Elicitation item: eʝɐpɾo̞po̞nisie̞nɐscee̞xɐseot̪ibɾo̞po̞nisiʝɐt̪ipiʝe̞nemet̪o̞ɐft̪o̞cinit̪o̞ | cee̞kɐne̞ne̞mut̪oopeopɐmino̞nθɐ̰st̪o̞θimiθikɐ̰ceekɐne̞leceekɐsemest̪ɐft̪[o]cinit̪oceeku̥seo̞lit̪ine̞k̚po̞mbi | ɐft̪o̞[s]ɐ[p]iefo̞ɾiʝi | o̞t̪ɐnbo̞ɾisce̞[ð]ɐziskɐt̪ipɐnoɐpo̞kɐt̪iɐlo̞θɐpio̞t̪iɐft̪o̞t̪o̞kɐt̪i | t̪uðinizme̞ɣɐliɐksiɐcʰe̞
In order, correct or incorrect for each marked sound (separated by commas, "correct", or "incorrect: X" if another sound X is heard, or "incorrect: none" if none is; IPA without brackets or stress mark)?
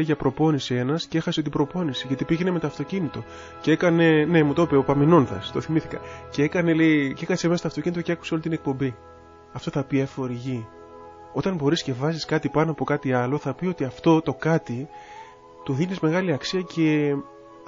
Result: correct, incorrect: θ, correct, incorrect: v